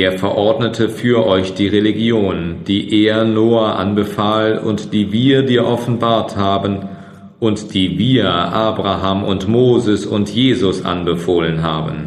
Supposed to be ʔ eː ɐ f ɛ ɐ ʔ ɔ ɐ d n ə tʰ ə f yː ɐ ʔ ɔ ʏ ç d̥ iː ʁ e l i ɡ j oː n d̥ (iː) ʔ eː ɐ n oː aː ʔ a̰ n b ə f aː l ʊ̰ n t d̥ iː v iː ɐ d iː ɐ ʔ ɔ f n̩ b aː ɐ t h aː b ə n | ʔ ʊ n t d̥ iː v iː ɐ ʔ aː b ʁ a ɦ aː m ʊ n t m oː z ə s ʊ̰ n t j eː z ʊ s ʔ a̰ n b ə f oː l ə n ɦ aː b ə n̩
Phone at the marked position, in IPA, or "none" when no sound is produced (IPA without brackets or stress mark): iː